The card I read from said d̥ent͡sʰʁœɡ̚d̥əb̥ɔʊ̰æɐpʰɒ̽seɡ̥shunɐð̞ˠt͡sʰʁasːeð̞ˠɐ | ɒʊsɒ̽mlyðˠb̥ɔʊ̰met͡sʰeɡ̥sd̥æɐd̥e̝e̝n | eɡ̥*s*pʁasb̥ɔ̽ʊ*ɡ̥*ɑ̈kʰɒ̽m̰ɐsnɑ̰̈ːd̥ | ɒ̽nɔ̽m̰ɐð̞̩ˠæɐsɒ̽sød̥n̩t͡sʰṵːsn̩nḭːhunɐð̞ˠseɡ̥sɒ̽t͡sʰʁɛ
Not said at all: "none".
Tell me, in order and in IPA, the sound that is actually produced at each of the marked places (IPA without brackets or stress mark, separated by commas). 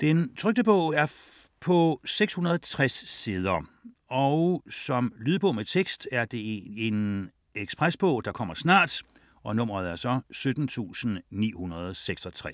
s, d̥